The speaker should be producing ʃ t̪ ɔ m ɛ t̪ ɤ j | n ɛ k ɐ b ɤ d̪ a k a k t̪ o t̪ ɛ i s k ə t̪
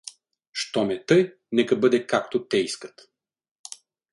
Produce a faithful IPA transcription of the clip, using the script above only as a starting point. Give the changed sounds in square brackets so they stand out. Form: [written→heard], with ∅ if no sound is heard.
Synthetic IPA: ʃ t̪ ɔ m ɛ t̪ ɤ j | n ɛ k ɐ b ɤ d̪ [a→ɛ] k a k t̪ o t̪ ɛ i s k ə t̪